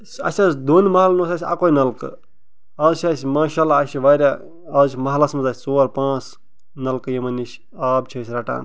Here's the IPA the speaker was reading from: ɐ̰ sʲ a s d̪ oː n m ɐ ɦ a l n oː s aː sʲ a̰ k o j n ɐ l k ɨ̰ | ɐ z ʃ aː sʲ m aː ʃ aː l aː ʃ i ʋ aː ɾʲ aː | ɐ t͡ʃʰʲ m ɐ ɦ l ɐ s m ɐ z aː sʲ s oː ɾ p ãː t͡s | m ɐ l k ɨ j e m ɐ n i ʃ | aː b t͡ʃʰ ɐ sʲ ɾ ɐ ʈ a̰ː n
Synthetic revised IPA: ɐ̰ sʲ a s d̪ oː n m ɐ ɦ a l n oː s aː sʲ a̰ k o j n ɐ l k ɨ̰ | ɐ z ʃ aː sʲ m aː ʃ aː l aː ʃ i ʋ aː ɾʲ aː | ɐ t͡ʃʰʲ m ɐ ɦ l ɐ s m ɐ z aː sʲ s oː ɾ p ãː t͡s | n ɐ l k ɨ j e m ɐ n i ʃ | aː b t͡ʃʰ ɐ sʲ ɾ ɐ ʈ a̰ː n